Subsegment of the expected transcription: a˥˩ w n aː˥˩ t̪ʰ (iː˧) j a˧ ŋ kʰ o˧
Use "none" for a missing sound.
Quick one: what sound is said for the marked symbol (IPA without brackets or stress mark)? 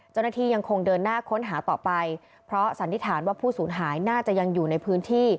iː˥˩